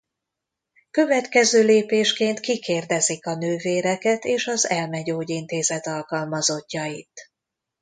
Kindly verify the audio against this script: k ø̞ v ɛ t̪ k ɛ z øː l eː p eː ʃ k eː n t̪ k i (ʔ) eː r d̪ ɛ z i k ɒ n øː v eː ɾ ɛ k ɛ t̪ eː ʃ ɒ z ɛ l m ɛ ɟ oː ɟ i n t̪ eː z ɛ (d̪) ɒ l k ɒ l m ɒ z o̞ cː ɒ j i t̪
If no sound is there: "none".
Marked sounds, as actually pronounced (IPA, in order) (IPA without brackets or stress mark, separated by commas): k, t̪